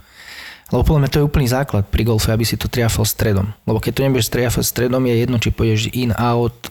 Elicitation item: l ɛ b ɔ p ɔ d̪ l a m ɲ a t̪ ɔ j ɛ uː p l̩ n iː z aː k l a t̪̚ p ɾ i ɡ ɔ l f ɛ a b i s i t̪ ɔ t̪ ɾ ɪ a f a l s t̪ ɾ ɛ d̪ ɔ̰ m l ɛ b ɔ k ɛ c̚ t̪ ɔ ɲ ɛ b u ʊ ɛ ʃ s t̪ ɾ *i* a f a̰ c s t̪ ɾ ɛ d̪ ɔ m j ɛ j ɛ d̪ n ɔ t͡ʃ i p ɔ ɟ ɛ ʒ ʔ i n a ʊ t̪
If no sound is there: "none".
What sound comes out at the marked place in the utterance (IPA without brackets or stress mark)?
ɪ